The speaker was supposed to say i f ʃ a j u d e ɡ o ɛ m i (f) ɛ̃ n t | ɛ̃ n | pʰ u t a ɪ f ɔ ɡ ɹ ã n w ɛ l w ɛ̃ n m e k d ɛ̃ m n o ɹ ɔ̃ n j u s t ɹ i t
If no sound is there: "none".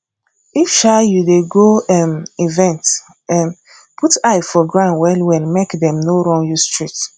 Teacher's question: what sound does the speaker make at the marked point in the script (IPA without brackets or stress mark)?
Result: v